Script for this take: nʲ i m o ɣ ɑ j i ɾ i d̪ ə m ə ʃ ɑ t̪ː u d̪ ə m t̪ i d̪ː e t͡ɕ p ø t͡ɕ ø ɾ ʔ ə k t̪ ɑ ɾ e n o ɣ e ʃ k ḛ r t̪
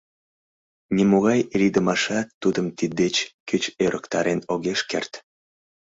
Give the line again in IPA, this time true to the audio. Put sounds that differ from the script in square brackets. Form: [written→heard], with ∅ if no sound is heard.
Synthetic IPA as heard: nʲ i m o ɣ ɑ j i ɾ i d̪ ə m [ə→ɑ] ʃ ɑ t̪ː u d̪ ə m t̪ i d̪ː e t͡ɕ [p→k] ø t͡ɕ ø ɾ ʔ ə k t̪ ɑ ɾ e n o ɣ e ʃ k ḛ r t̪